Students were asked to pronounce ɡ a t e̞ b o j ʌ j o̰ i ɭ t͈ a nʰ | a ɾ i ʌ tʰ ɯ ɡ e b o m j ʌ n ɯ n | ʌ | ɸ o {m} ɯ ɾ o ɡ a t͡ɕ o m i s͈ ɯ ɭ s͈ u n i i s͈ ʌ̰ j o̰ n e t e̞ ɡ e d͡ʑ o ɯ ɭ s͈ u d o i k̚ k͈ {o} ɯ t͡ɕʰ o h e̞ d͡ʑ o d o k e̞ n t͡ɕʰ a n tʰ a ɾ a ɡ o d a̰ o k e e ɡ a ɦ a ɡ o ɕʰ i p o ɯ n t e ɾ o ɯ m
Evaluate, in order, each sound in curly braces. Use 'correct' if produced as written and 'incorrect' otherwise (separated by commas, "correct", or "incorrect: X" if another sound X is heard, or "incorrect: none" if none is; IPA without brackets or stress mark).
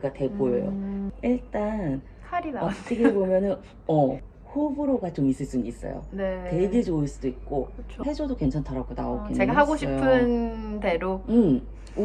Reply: incorrect: b, correct